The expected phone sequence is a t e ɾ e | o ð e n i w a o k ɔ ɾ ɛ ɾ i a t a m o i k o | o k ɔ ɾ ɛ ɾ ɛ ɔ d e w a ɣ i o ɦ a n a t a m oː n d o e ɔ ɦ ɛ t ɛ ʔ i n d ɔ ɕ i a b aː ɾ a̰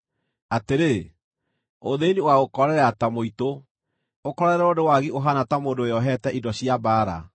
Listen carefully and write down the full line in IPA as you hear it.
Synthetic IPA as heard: a t e ɾ e | o ð e n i w a o k ɔ ɾ ɛ ɾ ɛ a t a m o i t o | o k ɔ ɾ ɛ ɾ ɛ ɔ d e w a ɣ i o ɦ a n a t a m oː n d o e ɔ ɦ ɛ t ɛ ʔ i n d ɔ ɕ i a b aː ɾ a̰